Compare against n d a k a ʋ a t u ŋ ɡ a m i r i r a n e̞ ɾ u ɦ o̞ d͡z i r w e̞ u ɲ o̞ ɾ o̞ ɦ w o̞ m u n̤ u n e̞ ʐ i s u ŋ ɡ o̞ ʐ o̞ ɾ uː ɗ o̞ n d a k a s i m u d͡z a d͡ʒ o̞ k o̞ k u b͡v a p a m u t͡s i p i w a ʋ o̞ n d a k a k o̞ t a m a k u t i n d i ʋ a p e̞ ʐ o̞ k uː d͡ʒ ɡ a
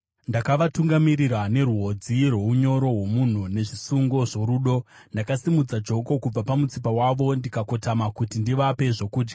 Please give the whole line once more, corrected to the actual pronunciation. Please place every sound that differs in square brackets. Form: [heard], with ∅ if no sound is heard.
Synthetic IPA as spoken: n d a k a ʋ a t u ŋ ɡ a m i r i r a n e̞ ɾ u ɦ o̞ d͡z i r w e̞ u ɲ o̞ ɾ o̞ ɦ w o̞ m u n̤ u n e̞ ʐ i s u ŋ ɡ o̞ ʐ o̞ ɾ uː ɗ o̞ n d a k a s i m u d͡z a d͡ʒ o̞ k o̞ k u b͡v a p a m u t͡s i p [a] w a ʋ o̞ n d [i] k a k o̞ t a m a k u t i n d i ʋ a p e̞ ʐ o̞ k uː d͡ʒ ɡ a